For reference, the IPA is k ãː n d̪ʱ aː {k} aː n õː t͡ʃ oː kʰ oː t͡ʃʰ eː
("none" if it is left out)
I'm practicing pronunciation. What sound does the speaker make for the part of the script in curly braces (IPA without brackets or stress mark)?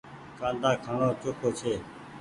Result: kʰ